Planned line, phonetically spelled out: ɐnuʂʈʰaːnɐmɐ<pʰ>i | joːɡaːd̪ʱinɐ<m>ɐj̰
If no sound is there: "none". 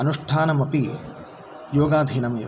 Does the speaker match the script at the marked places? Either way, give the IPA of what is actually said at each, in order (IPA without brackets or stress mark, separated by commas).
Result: p, m